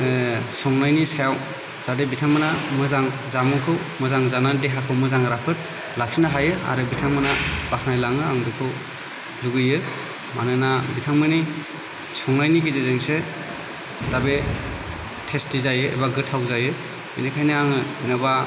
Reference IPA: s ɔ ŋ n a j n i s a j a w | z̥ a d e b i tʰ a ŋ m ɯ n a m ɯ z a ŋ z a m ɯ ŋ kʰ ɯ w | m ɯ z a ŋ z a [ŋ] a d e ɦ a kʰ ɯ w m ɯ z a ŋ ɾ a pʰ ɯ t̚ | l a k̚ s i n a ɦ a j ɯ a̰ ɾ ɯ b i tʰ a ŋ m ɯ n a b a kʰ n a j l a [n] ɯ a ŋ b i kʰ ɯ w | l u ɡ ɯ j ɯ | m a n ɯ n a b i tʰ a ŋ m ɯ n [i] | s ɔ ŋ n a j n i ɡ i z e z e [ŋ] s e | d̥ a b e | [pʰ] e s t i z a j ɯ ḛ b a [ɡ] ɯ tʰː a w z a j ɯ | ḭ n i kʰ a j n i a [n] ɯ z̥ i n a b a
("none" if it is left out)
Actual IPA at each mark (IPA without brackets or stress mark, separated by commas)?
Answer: n, ŋ, i, ŋ, tʰ, ɡ, ŋ